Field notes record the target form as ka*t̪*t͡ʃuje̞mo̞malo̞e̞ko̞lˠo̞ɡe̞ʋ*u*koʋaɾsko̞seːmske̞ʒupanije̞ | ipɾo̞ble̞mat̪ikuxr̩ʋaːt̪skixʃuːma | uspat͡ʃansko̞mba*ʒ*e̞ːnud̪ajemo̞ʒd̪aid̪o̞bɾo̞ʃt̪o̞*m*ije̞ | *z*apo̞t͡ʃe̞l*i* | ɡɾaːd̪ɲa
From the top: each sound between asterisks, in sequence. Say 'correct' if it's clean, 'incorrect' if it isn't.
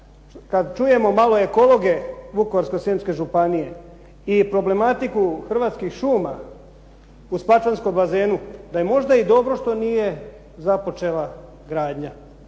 incorrect, correct, incorrect, incorrect, correct, incorrect

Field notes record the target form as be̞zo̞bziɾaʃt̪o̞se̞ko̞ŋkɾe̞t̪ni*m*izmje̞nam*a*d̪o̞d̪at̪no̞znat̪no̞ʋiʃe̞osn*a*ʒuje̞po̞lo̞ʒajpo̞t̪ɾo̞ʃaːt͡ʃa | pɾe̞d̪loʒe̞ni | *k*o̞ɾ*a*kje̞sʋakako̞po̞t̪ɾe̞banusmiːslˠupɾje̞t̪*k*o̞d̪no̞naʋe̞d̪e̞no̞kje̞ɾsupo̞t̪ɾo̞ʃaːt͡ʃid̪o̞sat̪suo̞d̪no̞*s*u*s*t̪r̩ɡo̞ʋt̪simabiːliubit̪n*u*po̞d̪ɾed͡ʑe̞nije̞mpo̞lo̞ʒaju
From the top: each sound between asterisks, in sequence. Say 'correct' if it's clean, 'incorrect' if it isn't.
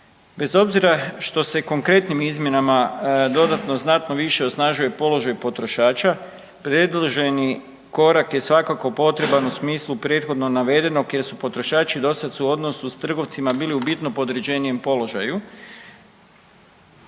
correct, correct, correct, correct, correct, incorrect, correct, correct, incorrect

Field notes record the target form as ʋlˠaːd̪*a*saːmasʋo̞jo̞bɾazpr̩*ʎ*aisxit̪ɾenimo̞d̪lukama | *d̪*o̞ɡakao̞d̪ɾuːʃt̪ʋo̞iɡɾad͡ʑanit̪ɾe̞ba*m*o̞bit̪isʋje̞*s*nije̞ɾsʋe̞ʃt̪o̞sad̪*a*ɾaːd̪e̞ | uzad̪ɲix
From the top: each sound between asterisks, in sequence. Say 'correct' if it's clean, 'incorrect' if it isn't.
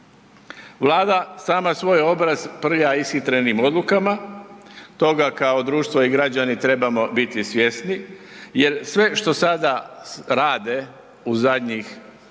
correct, correct, incorrect, correct, correct, correct

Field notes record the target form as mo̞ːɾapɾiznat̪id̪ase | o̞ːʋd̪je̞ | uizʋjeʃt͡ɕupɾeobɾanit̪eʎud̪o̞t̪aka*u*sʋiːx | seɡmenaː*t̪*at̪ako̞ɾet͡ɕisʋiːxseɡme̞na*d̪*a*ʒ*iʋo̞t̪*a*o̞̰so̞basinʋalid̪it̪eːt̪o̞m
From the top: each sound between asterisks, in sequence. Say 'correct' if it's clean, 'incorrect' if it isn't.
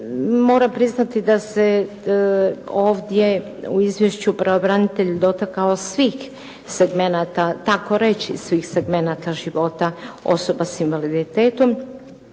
incorrect, correct, incorrect, correct, correct

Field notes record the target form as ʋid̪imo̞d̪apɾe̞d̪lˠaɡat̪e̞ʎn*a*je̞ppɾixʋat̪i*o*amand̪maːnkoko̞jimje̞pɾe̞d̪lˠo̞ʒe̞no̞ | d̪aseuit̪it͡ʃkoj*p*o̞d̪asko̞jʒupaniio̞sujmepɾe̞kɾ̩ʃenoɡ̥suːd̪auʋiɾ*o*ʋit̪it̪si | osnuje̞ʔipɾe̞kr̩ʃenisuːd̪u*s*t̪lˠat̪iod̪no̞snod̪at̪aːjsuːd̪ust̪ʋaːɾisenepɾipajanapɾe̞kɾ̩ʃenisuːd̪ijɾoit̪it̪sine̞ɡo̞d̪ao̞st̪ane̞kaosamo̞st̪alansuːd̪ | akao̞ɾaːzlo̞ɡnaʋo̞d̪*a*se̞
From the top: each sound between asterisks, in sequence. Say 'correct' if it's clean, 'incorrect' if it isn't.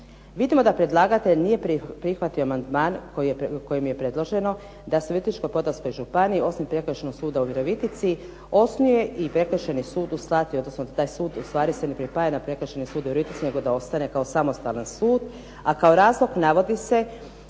incorrect, correct, correct, correct, correct, incorrect

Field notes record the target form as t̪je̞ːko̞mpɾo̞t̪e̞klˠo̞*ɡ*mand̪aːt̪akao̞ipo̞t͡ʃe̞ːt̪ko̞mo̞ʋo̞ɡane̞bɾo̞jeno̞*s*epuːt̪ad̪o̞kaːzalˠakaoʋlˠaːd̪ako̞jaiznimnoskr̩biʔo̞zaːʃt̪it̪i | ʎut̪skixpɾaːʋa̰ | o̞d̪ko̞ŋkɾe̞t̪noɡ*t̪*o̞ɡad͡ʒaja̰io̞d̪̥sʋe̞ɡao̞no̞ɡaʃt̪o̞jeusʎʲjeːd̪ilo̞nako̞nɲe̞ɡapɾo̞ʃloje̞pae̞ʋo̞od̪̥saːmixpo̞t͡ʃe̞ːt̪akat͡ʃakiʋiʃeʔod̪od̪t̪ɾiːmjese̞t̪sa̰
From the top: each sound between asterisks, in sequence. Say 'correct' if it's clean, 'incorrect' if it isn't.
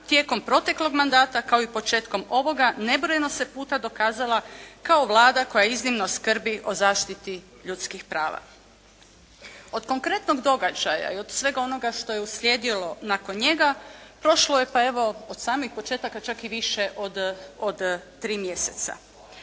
correct, correct, incorrect

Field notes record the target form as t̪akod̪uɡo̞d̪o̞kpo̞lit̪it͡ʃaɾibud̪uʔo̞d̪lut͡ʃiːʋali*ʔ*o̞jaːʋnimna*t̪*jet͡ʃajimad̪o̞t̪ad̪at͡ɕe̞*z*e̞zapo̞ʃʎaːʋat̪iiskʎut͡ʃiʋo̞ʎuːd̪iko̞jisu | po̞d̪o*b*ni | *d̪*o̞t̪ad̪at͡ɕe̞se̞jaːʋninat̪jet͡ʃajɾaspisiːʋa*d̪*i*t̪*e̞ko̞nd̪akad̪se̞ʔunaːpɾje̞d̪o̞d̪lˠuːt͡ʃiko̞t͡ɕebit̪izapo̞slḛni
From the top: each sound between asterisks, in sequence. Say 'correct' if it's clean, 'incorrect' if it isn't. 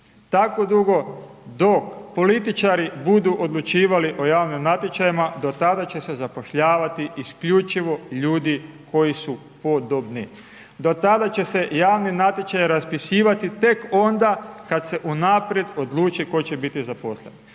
correct, correct, incorrect, correct, correct, incorrect, correct

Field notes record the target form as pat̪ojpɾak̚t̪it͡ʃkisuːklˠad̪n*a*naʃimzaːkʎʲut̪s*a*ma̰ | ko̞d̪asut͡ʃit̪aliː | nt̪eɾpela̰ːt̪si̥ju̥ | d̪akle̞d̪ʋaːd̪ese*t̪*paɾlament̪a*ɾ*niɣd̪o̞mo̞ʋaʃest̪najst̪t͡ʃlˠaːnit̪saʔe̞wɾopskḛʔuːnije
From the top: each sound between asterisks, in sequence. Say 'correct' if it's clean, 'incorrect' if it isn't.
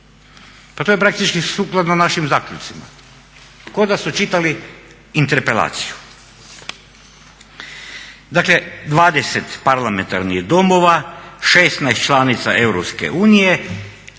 correct, incorrect, correct, correct

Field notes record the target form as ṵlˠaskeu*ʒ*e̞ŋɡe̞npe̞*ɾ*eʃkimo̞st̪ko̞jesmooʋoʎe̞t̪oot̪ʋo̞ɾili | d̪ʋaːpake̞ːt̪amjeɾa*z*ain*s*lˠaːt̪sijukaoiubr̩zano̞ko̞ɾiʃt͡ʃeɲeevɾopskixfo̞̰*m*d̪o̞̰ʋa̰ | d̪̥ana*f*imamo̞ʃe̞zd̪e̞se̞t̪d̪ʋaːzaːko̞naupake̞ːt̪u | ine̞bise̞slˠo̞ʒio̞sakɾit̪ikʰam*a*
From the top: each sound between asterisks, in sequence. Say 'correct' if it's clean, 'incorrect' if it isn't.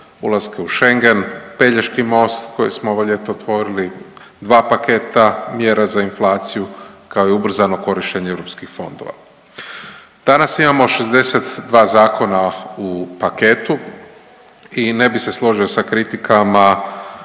incorrect, incorrect, correct, incorrect, incorrect, incorrect, correct

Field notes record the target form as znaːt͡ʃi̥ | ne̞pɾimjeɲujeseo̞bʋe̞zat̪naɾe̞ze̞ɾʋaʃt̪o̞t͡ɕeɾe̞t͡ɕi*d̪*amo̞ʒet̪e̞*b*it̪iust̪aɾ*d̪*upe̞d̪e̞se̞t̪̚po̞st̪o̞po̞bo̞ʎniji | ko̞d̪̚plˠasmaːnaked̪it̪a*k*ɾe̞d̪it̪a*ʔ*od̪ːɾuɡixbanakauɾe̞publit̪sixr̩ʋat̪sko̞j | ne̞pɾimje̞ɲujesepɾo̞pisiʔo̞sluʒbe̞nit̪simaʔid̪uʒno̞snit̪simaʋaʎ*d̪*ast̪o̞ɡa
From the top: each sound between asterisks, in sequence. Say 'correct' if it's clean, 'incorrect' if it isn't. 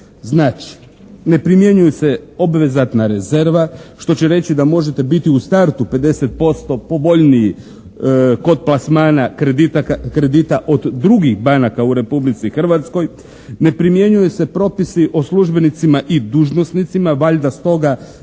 correct, correct, incorrect, correct, correct, correct

